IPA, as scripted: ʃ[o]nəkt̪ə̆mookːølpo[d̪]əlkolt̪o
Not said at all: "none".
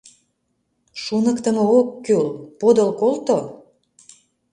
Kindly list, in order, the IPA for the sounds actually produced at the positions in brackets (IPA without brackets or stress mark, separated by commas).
u, d̪